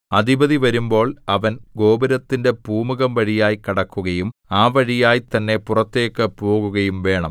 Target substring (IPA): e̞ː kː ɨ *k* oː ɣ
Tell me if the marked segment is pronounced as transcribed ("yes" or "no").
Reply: no